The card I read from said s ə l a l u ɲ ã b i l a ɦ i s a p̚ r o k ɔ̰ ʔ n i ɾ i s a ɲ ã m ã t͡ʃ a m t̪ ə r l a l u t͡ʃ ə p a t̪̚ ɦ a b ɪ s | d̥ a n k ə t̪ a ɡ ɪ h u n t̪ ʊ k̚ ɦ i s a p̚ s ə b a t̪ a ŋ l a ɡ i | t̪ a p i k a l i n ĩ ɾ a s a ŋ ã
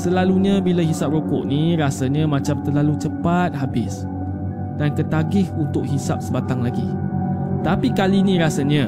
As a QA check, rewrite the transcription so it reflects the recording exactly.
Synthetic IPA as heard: s ə l a l u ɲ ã b i l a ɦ i s a p̚ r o k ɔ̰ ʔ n i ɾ a s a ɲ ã m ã t͡ʃ a m t̪ ə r l a l u t͡ʃ ə p a t̪̚ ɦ a b ɪ s | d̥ a n k ə t̪ a ɡ ɪ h u n t̪ ʊ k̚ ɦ i s a p̚ s ə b a t̪ a ŋ l a ɡ i | t̪ a p i k a l i n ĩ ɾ a s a ɲ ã